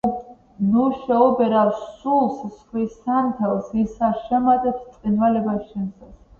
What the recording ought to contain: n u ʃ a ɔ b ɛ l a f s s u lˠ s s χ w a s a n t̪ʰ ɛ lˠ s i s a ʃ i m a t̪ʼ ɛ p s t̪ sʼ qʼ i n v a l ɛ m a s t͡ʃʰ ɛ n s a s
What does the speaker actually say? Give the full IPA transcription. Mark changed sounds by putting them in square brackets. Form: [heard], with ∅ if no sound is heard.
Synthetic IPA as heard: n u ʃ [ɛ] ɔ b ɛ [ɾ] a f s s u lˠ s s χ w [i] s a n t̪ʰ ɛ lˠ s i s a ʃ [ɛ] m a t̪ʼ ɛ p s t̪ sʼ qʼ i n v a l ɛ [b] a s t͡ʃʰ ɛ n s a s